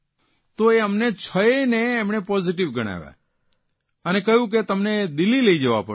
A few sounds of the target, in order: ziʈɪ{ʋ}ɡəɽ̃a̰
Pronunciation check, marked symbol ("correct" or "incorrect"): correct